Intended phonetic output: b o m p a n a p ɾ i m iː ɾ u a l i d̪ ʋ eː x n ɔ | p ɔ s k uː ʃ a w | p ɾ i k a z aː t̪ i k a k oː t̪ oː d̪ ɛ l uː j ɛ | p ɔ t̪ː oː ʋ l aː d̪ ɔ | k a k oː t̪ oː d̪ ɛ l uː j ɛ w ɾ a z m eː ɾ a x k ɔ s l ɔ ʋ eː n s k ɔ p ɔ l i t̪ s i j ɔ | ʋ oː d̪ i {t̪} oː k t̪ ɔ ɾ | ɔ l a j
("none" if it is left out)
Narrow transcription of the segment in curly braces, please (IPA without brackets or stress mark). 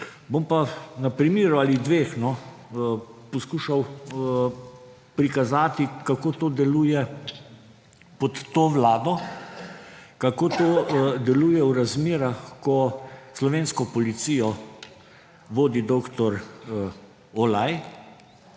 d̪